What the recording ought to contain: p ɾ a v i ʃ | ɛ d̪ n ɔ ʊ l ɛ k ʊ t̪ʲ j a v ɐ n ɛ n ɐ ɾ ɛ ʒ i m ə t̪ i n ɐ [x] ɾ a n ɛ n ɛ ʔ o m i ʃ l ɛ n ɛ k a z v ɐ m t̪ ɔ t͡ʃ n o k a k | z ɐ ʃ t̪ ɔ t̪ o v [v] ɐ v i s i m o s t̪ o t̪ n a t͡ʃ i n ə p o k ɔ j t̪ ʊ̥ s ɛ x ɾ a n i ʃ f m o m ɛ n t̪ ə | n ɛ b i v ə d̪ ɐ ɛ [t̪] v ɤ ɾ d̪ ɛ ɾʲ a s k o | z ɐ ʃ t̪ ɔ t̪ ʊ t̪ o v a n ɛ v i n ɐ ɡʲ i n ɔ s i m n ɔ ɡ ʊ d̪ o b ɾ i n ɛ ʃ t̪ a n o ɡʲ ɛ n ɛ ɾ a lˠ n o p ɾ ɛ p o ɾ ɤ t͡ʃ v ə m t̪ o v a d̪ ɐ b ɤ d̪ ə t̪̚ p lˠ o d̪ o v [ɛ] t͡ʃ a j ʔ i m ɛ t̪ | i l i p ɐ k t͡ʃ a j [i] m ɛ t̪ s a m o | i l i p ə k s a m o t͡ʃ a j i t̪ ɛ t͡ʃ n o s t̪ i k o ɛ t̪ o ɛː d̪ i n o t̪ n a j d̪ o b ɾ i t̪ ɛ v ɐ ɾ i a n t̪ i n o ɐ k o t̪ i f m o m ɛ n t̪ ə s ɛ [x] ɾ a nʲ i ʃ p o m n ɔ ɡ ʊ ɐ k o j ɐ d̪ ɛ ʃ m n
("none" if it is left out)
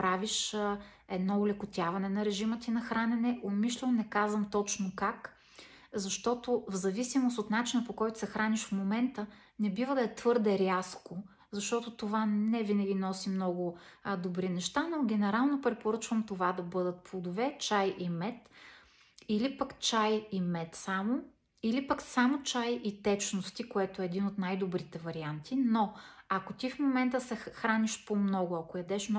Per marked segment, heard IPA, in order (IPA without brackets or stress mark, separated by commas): x, z, t̪, ɛ, i, x